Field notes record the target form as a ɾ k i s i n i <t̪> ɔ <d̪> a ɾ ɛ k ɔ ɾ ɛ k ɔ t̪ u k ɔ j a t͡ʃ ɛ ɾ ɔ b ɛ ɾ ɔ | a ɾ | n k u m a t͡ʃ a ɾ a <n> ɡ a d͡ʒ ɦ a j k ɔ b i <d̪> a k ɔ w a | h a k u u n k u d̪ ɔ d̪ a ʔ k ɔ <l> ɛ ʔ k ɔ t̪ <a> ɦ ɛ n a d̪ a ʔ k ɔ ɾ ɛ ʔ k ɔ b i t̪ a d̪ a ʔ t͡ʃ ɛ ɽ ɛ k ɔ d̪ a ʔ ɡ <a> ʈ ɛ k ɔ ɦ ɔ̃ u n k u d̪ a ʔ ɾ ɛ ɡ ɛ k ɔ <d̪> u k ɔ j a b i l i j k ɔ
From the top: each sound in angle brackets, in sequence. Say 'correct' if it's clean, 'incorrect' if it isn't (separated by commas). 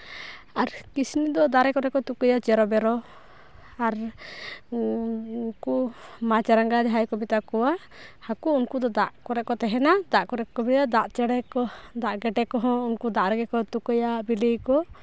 incorrect, correct, incorrect, incorrect, incorrect, incorrect, incorrect, incorrect